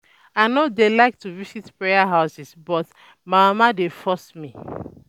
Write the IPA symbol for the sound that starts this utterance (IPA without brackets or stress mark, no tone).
a